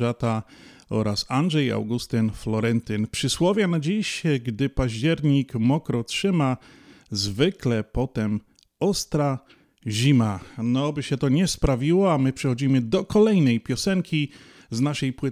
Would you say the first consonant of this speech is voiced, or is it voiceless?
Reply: voiceless